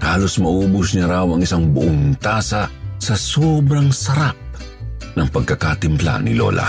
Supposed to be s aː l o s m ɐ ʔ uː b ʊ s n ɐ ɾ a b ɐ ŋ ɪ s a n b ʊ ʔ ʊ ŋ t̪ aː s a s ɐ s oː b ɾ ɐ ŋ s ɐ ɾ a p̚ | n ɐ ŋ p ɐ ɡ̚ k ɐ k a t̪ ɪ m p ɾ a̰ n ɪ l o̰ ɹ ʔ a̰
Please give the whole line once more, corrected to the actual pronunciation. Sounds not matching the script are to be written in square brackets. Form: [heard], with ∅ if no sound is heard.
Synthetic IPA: [h] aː l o s m ɐ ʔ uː b ʊ s n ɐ ɾ a [w] ɐ ŋ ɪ s a [ŋ] b ʊ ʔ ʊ ŋ t̪ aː s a s ɐ s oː b ɾ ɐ ŋ s ɐ ɾ a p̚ | n ɐ ŋ p ɐ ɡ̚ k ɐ k a t̪ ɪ m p [l] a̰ n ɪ l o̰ [l] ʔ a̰